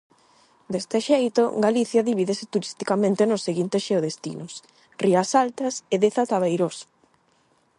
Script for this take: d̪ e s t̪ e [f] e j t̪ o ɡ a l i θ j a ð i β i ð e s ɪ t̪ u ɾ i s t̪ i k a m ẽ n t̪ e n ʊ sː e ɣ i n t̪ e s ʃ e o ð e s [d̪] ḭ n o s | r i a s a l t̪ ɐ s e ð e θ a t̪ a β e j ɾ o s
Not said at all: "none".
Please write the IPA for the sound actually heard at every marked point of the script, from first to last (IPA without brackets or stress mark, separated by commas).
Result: ʃ, t̪